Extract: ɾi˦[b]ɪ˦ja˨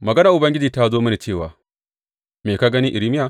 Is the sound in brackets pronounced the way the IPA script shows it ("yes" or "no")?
no